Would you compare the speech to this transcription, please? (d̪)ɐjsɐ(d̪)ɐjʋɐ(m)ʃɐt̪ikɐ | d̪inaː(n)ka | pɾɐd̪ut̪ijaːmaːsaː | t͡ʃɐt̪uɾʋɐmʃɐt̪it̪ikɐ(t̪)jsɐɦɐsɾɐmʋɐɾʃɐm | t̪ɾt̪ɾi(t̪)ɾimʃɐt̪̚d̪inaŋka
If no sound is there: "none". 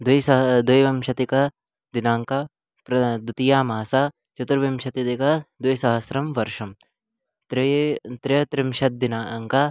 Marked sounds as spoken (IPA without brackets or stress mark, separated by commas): d̪, d̪, m, ŋ, d̪, t̪